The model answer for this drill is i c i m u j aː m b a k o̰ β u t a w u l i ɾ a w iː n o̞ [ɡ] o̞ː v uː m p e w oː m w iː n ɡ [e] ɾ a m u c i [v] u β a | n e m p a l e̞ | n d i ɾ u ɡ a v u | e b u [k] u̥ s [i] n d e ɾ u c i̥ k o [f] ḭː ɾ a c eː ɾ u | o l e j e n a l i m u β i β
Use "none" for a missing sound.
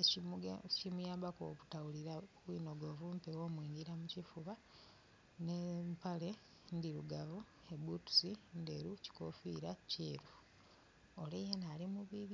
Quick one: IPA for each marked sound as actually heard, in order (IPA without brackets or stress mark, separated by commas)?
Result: ɡ, i, f, t, i, f